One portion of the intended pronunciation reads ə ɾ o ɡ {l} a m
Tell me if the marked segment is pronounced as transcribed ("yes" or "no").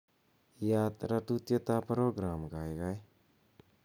no